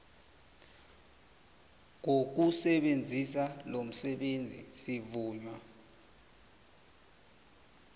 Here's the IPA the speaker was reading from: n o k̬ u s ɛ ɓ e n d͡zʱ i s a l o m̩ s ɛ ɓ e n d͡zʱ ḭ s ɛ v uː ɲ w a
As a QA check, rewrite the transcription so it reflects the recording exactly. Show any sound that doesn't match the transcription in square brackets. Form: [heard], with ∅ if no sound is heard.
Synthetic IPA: [ŋ] o k̬ u s ɛ ɓ e n d͡zʱ i s a l o m̩ s ɛ ɓ e n d͡zʱ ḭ s [i] v uː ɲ w a